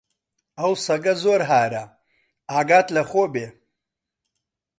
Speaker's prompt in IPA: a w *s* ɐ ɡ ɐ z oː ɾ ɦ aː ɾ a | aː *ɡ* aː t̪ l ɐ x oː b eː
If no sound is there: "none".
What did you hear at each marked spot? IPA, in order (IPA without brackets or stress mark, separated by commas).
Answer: s, ɡ